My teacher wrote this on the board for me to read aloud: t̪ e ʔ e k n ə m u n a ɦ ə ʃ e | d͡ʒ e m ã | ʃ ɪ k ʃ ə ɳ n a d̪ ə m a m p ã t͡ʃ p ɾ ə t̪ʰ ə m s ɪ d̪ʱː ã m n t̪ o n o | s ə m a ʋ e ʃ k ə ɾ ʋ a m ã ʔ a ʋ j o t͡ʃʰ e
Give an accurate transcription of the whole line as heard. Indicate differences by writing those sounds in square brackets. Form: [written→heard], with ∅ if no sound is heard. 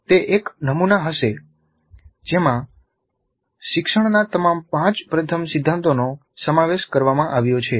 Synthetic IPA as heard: t̪ e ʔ e k n ə m u n a ɦ ə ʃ e | d͡ʒ e m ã | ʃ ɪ k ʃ ə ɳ n a [d̪→t̪] ə m a m p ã t͡ʃ p ɾ ə t̪ʰ ə m s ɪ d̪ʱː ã [m→∅] n t̪ o n o | s ə m a ʋ e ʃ k ə ɾ ʋ a m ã ʔ a ʋ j o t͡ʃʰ e